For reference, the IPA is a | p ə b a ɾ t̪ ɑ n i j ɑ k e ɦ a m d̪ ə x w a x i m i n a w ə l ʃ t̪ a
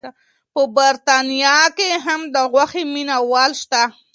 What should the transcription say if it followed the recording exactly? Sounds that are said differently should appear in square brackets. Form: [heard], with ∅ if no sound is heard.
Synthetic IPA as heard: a | p ə b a ɾ t̪ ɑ n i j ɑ k e ɦ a m d̪ ə [ɣ] w a x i m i n a w [ɑ] l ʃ t̪ a